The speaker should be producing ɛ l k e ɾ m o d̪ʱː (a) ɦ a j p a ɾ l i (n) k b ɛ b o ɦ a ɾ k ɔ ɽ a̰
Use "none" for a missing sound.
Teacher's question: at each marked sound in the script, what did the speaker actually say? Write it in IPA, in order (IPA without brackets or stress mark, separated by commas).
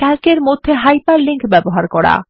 e, ŋ